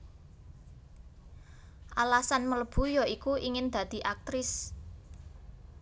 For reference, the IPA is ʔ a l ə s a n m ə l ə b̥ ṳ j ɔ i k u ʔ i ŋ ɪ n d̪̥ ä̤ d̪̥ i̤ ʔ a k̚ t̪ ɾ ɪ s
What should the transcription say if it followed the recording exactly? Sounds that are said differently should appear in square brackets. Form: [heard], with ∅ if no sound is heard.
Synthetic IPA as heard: ʔ a l [a] s a n m ə l ə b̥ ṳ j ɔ i k u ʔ i ŋ ɪ n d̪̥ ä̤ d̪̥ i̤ ʔ a k̚ t̪ ɾ ɪ s